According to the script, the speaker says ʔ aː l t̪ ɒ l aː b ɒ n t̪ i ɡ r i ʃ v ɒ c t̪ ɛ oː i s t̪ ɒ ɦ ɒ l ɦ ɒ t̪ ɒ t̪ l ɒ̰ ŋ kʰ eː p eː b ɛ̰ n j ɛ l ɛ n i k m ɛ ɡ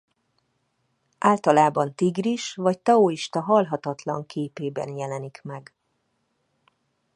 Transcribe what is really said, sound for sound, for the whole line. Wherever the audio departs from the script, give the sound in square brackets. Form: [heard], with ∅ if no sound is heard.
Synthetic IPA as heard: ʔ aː l t̪ ɒ l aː b ɒ n t̪ i ɡ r i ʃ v ɒ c t̪ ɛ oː i [ʃ] t̪ ɒ ɦ ɒ l ɦ ɒ t̪ ɒ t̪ l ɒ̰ ŋ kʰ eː p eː b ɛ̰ n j ɛ l ɛ n i k m ɛ ɡ